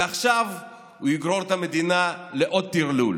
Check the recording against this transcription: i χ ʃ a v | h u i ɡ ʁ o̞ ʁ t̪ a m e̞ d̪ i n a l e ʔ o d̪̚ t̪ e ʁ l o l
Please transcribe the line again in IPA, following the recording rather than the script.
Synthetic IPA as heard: a χ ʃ a v | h u i ɡ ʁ o̞ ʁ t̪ a m e̞ d̪ i n a l e ʔ o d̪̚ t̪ i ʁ l u l